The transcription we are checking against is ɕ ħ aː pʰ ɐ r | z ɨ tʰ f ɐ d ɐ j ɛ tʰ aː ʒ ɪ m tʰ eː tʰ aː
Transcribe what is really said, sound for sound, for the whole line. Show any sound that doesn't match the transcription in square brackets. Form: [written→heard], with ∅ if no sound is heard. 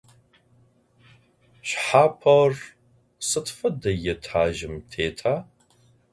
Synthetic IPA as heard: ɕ ħ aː pʰ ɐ r | [z→s] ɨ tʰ f ɐ d ɐ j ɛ tʰ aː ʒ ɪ m tʰ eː tʰ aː

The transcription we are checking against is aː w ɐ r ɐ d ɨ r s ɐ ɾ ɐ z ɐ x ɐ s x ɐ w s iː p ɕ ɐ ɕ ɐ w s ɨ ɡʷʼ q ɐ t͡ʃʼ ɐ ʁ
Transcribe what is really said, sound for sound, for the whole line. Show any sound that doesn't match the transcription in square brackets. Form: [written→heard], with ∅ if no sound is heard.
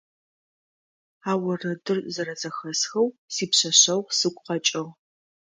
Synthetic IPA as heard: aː w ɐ r ɐ d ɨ r [s→z] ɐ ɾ ɐ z ɐ x ɐ s x ɐ w s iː p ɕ ɐ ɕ ɐ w s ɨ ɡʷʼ q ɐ t͡ʃʼ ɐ ʁ

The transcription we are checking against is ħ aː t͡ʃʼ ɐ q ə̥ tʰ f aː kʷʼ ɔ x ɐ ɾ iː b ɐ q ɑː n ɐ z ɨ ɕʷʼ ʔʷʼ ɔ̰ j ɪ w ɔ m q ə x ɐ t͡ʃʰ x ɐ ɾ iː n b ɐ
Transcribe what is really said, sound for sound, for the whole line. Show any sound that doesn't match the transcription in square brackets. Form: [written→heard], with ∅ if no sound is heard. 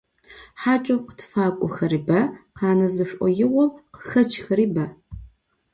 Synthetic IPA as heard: ħ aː t͡ʃʼ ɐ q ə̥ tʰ f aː kʷʼ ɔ x ɐ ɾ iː b ɐ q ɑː n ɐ z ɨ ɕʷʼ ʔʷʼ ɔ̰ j ɪ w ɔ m q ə x ɐ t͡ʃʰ x ɐ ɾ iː [n→∅] b ɐ

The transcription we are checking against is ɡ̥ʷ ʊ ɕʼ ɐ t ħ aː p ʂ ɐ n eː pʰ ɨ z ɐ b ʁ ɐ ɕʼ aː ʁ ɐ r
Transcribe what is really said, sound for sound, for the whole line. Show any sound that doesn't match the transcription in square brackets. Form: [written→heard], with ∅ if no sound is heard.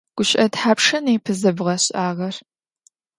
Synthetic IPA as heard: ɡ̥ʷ ʊ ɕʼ ɐ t ħ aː p ʂ ɐ n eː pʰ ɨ z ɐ b ʁ ɐ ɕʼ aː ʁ ɐ r

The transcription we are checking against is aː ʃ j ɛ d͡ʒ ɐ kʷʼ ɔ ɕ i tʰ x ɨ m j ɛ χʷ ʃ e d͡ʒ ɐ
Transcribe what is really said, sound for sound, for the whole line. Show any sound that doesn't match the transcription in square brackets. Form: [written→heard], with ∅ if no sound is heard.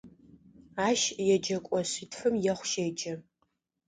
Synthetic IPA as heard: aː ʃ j ɛ d͡ʒ ɐ kʷʼ ɔ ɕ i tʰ [x→f] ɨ m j ɛ χʷ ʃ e d͡ʒ ɐ

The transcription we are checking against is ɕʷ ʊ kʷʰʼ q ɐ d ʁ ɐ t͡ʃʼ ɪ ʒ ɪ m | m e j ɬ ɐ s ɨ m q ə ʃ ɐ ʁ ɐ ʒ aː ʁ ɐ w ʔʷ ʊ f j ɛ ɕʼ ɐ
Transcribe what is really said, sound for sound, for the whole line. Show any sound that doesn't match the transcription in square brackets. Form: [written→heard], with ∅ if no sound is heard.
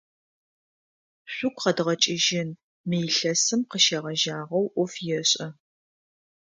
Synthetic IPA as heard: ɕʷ ʊ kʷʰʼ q ɐ d ʁ ɐ t͡ʃʼ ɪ ʒ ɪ [m→n] | m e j ɬ ɐ s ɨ m q ə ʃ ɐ ʁ ɐ ʒ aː ʁ ɐ w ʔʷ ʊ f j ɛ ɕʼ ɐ

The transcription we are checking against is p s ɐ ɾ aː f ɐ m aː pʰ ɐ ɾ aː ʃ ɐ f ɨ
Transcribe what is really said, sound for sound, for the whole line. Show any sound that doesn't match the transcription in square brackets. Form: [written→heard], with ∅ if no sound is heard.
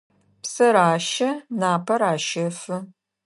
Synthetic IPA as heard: p s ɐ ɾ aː [f→ʃ] ɐ [m→n] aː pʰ ɐ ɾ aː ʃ ɐ f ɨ

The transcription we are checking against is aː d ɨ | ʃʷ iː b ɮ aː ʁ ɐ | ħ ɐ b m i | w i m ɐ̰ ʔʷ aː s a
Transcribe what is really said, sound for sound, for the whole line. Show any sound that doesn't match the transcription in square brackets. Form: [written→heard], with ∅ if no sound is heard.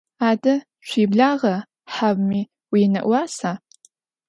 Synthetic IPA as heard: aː d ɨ | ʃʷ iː b ɮ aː ʁ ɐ | ħ [ɐ→a] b m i | w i [m→n] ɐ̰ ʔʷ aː s a

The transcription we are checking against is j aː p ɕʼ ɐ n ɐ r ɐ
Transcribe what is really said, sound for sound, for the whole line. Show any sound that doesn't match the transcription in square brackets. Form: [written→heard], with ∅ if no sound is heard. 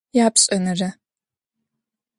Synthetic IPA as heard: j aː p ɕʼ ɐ n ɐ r ɐ

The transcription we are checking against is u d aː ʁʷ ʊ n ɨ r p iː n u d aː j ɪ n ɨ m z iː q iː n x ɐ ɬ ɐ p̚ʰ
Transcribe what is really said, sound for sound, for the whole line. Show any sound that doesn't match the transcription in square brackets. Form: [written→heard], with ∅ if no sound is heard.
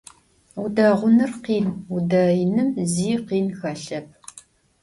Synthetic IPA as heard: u d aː ʁʷ ʊ n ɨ r [p→q] iː n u d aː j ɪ n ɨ m z iː q iː n x ɐ ɬ ɐ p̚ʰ

